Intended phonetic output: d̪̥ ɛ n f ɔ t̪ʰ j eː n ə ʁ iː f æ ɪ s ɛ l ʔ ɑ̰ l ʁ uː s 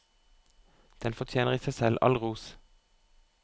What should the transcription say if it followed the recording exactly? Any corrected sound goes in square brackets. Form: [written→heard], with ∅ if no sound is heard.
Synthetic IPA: d̪̥ ɛ n f ɔ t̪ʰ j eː n ə ʁ iː [f→s] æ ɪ s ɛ l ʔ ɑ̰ l ʁ uː s